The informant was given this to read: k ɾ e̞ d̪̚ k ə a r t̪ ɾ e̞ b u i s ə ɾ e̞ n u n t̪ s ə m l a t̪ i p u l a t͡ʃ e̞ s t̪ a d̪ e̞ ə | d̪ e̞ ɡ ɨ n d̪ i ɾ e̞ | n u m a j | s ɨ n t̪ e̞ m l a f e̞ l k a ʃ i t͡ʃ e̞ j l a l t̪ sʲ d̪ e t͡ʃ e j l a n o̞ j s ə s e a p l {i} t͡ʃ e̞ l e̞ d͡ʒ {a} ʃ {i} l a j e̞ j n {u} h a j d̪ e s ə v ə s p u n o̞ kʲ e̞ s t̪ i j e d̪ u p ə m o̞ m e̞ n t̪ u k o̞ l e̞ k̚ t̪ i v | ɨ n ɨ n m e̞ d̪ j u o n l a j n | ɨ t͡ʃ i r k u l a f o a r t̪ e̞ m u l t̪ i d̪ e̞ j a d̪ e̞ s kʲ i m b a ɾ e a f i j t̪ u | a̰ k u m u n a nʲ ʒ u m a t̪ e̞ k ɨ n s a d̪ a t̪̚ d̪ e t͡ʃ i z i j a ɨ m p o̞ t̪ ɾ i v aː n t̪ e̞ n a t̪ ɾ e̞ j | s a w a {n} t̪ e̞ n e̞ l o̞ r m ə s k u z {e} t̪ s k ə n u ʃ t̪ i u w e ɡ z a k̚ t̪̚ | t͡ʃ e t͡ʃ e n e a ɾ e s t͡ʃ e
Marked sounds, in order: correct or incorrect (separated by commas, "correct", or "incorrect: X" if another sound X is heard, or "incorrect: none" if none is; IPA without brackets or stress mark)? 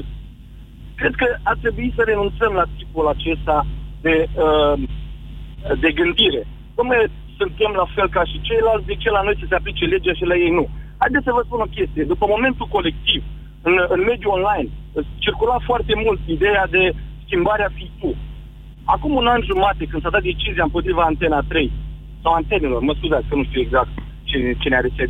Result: correct, correct, correct, correct, correct, incorrect: a